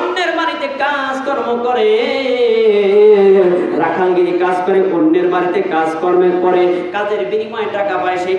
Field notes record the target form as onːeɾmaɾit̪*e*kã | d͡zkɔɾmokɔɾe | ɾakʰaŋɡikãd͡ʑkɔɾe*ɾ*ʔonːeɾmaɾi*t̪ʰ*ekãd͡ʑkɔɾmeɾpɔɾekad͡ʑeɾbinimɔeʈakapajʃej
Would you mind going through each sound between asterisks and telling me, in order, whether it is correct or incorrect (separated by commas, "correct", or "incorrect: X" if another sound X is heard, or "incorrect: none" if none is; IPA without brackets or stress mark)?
correct, incorrect: none, incorrect: t̪